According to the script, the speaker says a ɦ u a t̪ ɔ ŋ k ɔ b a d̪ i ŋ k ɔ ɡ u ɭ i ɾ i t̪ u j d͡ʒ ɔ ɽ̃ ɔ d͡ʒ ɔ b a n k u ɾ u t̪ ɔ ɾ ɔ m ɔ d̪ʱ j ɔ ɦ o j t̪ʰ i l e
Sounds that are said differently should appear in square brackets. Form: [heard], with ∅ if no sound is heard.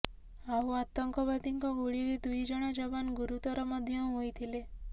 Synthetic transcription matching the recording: a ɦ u a t̪ ɔ ŋ k ɔ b a d̪ i ŋ k ɔ ɡ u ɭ i ɾ i [d̪] u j d͡ʒ ɔ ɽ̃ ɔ d͡ʒ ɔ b a n [ɡ] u ɾ u t̪ ɔ ɾ ɔ m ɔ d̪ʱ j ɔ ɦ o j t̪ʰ i l e